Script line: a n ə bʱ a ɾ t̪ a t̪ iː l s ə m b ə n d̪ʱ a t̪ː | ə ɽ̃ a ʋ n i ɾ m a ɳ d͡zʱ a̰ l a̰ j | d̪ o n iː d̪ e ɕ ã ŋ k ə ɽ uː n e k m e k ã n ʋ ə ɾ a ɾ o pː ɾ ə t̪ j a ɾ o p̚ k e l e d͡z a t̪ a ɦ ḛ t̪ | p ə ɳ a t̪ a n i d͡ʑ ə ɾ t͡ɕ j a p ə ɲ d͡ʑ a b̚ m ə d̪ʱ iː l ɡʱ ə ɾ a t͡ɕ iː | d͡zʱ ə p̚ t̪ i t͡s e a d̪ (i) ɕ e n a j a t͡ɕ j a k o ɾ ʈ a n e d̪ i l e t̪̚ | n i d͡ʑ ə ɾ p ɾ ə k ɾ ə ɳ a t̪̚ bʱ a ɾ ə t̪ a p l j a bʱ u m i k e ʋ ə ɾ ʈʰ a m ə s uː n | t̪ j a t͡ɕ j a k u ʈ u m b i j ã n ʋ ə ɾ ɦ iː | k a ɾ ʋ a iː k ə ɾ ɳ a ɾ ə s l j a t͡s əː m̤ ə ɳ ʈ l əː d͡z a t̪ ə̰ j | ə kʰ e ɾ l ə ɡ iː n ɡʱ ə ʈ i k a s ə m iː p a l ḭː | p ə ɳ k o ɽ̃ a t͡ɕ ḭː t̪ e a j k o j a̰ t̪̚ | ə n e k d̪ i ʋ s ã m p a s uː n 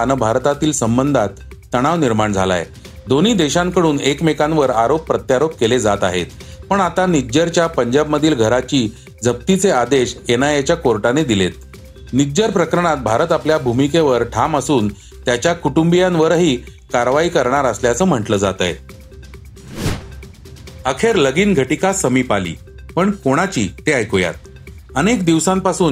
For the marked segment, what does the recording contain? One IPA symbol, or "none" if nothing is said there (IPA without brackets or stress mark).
e